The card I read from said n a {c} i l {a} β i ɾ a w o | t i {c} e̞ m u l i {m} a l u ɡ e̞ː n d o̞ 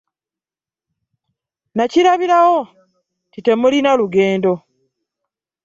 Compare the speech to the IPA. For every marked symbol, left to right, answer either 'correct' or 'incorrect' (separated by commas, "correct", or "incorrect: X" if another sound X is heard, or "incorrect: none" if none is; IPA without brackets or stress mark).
correct, correct, incorrect: t, incorrect: n